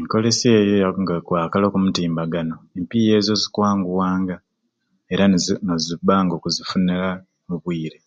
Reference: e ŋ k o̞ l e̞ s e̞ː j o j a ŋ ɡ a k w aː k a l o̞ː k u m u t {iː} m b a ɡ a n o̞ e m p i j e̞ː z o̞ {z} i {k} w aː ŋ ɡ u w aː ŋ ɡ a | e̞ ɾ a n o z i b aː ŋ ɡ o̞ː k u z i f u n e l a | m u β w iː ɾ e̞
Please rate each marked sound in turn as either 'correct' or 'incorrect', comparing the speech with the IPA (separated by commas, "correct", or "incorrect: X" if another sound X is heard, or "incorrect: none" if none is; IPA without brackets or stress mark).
correct, correct, correct